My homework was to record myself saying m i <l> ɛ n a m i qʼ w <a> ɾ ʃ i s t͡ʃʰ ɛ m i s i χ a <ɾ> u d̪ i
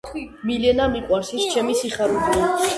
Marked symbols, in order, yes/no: yes, yes, yes

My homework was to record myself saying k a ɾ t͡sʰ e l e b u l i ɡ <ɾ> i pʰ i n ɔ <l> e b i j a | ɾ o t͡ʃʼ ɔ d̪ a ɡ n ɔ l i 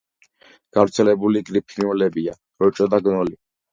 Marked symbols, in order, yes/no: yes, yes

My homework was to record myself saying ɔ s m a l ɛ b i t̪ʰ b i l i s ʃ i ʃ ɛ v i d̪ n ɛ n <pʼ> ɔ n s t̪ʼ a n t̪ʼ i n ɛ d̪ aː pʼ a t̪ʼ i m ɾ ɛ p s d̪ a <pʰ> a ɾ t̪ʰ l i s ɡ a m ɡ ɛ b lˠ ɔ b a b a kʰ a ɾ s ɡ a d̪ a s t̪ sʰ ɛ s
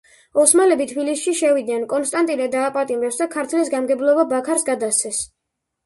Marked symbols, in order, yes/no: no, no

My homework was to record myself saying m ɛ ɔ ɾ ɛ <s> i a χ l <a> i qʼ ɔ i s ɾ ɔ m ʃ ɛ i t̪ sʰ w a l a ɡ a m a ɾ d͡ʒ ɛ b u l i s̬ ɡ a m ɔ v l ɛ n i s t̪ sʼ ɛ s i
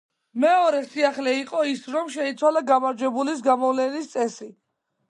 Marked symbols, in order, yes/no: yes, no

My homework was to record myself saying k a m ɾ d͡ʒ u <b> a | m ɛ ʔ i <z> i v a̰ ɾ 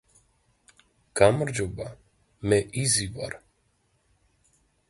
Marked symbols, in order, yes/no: yes, yes

